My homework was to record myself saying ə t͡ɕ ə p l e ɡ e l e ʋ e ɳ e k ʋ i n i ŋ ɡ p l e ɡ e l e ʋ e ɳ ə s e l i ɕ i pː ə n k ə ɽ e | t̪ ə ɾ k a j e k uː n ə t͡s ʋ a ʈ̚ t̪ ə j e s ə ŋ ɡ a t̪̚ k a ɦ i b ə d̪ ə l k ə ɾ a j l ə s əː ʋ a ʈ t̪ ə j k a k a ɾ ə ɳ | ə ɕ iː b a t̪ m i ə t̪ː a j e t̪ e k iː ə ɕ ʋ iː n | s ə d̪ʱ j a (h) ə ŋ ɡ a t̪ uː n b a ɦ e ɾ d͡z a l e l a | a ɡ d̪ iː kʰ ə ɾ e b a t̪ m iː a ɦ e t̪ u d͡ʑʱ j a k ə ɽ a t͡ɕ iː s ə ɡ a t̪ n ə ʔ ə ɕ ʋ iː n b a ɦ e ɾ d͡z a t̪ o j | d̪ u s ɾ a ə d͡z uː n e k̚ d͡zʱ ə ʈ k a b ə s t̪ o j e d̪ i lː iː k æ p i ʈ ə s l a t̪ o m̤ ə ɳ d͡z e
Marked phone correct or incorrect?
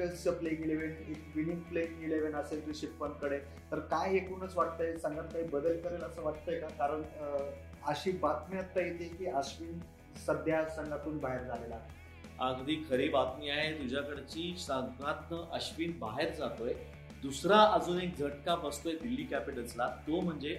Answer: incorrect